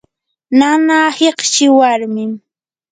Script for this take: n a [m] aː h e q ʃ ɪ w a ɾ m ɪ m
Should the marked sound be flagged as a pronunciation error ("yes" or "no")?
yes